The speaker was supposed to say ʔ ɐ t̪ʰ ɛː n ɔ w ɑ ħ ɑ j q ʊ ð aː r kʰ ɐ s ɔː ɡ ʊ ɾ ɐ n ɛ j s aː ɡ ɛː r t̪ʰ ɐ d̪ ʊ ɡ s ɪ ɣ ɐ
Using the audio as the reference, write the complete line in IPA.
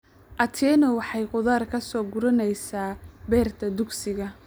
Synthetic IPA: ʔ ɐ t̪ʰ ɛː n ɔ w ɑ ħ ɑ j q ʊ ð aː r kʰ ɐ s ɔː ɡ ʊ ɾ ɐ n ɛ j s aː b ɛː r t̪ʰ ɐ d̪ ʊ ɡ s ɪ ɣ ɐ